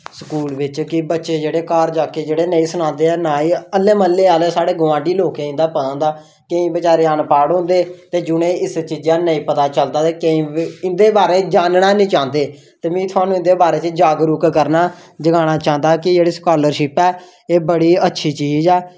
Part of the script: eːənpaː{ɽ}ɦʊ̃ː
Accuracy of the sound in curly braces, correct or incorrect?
correct